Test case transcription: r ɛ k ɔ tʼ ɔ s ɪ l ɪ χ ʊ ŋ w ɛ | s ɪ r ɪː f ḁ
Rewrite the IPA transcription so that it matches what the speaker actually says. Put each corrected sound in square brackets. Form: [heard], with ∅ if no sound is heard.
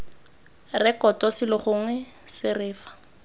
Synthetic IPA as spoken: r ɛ k ɔ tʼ ɔ s ɪ l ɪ χ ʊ ŋ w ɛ | s ɪ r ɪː f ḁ